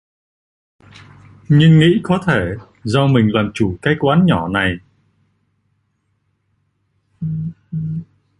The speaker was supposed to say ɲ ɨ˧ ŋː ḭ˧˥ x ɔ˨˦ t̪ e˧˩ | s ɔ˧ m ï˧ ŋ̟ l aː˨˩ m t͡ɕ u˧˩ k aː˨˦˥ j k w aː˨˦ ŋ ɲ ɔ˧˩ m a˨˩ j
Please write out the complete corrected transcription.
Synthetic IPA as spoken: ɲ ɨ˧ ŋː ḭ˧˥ k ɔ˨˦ t̪ʰ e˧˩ | z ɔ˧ m ï˨˩ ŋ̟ l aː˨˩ m t͡ɕ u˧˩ k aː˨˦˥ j k w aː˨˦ n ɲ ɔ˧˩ n a˨˩ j